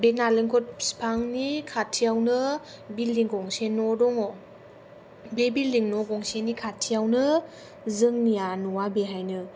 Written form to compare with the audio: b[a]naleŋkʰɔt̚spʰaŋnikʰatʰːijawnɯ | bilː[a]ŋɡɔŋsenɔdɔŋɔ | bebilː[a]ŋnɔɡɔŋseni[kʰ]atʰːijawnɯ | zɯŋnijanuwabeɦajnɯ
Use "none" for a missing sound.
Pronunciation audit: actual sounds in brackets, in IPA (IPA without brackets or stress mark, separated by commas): e, i, i, kʰ